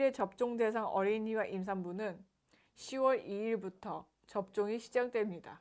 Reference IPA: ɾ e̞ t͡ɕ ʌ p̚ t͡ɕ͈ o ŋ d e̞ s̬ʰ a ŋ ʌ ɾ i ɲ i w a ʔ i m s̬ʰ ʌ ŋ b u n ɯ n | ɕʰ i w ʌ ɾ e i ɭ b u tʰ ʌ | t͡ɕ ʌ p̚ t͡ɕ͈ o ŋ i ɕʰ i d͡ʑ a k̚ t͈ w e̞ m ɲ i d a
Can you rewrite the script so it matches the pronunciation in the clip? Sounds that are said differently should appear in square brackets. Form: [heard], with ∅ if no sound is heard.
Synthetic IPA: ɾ e̞ t͡ɕ ʌ p̚ t͡ɕ͈ o ŋ d e̞ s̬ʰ a ŋ ʌ ɾ i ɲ i w a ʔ i m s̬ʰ [a] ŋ b u n ɯ n | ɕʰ i w ʌ ɾ [i] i ɭ b u tʰ ʌ | t͡ɕ ʌ p̚ t͡ɕ͈ o ŋ i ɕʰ i d͡ʑ a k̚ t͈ w e̞ m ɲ i d a